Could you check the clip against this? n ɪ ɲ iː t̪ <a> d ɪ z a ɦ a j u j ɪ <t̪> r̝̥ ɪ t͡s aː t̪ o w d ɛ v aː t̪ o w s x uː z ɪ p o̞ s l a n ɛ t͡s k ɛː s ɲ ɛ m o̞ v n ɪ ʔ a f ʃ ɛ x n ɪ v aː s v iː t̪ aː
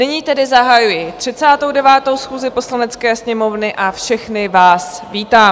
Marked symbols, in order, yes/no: no, yes

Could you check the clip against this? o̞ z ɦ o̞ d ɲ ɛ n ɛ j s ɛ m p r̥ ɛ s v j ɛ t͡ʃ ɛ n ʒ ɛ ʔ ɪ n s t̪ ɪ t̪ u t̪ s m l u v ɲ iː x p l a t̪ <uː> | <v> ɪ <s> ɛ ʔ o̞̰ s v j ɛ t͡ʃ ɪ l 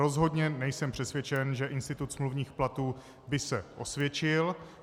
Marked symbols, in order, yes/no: yes, no, yes

